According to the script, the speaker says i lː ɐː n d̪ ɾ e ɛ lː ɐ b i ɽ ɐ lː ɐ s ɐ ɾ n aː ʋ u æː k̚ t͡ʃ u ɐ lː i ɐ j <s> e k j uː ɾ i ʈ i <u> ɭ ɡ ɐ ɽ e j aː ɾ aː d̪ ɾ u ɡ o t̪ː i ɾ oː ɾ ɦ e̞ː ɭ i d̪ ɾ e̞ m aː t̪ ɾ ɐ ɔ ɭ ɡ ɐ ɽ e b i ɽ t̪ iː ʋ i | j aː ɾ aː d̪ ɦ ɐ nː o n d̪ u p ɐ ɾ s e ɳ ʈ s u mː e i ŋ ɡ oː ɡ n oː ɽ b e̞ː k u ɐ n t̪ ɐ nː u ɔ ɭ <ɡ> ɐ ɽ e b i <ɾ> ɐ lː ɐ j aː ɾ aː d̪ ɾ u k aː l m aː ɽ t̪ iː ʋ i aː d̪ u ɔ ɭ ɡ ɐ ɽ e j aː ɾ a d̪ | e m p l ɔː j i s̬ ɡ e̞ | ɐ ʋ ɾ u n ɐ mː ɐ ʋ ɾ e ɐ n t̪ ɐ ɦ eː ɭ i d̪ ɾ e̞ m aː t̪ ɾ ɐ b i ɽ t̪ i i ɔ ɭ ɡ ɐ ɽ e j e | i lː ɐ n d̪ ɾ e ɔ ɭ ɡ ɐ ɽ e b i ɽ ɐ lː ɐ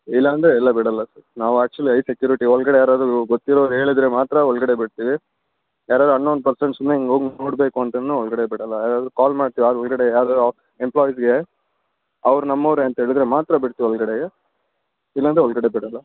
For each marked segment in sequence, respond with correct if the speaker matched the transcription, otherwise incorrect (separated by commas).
correct, incorrect, correct, incorrect